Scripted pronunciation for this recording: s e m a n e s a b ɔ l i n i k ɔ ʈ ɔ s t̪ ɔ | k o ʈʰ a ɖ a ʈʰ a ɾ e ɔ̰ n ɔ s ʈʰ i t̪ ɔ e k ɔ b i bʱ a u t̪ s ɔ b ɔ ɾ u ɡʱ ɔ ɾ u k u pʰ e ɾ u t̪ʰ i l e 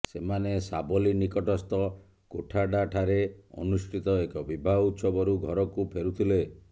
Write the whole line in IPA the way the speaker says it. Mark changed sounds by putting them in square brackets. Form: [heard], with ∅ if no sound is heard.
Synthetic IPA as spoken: s e m a n e s a b ɔ l i n i k ɔ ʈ ɔ s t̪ ɔ | k o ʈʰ a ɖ a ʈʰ a ɾ e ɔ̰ n [u] s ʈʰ i t̪ ɔ e k ɔ b i bʱ a u t̪ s ɔ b ɔ ɾ u ɡʱ ɔ ɾ [ɔ] k u pʰ e ɾ u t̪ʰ i l e